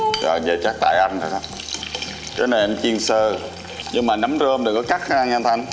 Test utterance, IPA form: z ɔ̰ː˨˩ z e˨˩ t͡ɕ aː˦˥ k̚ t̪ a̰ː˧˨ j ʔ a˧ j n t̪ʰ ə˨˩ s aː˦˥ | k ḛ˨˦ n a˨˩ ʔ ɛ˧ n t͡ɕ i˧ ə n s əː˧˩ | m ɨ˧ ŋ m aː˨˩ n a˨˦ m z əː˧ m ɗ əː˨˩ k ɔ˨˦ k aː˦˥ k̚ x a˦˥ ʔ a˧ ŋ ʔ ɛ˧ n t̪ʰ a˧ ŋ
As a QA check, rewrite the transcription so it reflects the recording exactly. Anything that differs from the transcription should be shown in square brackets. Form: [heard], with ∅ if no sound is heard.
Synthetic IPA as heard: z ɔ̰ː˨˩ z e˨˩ t͡ɕ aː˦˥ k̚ t̪ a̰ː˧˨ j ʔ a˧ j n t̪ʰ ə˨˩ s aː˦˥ | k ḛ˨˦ n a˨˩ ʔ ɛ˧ [m] t͡ɕ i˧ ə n s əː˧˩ | [ɲ] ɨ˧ ŋ m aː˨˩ n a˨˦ m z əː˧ m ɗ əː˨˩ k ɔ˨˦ k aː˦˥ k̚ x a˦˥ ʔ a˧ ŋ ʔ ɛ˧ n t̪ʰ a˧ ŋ

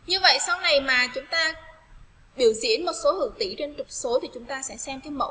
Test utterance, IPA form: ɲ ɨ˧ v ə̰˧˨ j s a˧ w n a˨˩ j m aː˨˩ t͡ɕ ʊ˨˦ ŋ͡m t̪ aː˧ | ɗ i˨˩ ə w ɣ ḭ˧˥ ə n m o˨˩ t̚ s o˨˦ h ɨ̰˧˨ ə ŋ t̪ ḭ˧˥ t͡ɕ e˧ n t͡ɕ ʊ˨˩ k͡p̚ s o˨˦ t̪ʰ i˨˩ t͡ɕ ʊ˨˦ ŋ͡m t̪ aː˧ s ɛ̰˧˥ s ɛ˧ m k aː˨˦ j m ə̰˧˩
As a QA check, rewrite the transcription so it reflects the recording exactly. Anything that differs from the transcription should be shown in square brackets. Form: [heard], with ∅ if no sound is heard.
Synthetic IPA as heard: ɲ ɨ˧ v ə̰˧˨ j s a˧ w n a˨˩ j m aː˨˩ t͡ɕ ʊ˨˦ ŋ͡m t̪ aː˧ | ɗ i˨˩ ə w [z] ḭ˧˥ ə n m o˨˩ t̚ s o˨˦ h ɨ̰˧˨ ə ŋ t̪ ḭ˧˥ t͡ɕ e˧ n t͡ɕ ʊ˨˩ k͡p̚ s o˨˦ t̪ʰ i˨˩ t͡ɕ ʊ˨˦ ŋ͡m t̪ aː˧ s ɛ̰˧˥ s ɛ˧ m k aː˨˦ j m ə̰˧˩

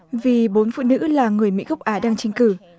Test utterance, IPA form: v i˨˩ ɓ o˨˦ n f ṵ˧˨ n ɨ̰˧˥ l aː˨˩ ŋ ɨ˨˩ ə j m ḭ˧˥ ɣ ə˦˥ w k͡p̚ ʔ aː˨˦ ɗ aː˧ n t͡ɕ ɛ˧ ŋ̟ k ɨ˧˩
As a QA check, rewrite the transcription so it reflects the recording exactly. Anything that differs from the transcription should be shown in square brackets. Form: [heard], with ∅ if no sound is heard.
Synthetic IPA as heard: v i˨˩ ɓ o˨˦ n f ṵ˧˨ n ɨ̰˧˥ l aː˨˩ ŋ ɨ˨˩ ə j m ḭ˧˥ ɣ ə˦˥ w k͡p̚ ʔ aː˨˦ ɗ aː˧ [ŋ] t͡ɕ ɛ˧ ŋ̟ k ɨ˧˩

